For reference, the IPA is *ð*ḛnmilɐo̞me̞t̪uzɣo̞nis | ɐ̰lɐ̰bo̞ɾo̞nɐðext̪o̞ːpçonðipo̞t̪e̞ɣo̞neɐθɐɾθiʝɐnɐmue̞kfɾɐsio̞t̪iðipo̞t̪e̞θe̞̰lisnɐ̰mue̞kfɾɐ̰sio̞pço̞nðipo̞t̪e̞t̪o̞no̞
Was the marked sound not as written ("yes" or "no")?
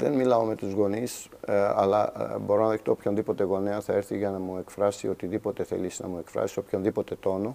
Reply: no